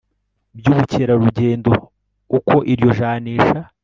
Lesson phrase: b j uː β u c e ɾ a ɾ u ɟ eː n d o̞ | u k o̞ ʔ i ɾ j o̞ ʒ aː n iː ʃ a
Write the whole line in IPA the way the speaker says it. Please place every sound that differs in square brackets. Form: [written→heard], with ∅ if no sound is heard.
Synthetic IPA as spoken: b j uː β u c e ɾ a ɾ u ɟ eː n d o̞ | u k o̞ ʔ i ɾ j o̞ ʒ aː n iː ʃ a